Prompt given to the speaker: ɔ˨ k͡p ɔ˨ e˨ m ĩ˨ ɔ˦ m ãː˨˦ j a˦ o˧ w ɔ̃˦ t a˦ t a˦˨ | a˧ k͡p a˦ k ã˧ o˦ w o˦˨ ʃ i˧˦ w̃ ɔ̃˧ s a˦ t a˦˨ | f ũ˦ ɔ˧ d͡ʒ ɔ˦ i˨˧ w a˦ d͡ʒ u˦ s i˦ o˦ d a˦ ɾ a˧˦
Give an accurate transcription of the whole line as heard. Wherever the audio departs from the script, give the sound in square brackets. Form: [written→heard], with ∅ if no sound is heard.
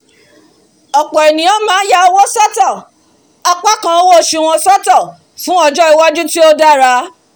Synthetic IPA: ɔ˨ k͡p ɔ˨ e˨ [m→n] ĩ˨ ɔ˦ m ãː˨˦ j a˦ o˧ w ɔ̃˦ [t→s] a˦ t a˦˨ | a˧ k͡p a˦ k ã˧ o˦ w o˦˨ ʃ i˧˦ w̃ ɔ̃˧ s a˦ t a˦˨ | f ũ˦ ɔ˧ d͡ʒ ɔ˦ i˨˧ w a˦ d͡ʒ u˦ [s→t] i˦ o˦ d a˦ ɾ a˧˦